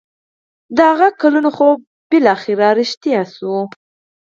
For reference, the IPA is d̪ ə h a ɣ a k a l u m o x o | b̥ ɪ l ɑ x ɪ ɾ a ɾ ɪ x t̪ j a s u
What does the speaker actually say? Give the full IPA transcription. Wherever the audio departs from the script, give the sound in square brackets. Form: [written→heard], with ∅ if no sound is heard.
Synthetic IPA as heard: d̪ ə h a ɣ a k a l u [m→n] o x o | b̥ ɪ l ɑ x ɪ ɾ a ɾ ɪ [x→ʃ] t̪ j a s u